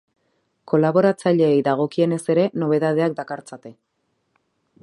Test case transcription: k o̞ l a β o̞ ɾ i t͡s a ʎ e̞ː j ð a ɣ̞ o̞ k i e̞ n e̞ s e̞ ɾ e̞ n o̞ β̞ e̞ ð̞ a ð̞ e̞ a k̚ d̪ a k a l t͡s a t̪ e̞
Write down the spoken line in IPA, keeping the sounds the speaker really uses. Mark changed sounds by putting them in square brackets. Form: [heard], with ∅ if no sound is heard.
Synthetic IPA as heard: k o̞ l a β o̞ ɾ [a] t͡s a ʎ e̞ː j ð a ɣ̞ o̞ k i e̞ n e̞ s e̞ ɾ e̞ n o̞ β̞ e̞ ð̞ a ð̞ e̞ a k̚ d̪ a k a [ɾ] t͡s a t̪ e̞